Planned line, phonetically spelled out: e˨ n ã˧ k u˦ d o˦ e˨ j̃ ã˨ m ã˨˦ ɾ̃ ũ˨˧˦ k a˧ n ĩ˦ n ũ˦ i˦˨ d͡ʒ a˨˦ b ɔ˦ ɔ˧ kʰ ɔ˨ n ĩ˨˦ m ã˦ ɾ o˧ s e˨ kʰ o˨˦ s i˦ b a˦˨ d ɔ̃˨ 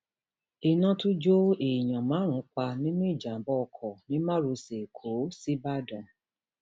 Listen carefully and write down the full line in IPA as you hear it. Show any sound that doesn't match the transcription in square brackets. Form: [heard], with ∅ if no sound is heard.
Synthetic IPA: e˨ n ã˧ [t] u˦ [d͡ʒ] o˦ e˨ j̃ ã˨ m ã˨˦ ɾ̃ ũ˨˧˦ [k͡p] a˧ n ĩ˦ n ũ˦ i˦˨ d͡ʒ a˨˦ b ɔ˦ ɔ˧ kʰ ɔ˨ n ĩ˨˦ m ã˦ ɾ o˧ s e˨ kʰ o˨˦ s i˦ b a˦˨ d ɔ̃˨